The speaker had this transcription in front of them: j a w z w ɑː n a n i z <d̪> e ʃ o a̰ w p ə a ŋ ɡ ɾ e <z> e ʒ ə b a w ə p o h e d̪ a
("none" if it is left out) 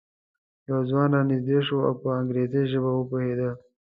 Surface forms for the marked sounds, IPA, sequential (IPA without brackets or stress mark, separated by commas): d̪, z